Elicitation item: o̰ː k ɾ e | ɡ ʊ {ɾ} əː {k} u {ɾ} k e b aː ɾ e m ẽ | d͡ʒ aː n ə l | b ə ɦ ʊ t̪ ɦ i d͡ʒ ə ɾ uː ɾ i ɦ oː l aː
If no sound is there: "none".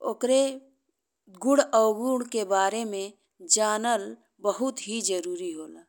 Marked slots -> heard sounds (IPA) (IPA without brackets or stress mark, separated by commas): ɽ, ɡ, ɽ